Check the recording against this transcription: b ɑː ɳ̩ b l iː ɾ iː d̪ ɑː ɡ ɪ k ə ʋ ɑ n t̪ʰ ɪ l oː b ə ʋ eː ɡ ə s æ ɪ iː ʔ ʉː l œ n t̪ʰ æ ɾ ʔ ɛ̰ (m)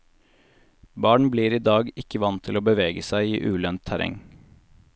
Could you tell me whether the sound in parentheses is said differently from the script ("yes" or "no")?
yes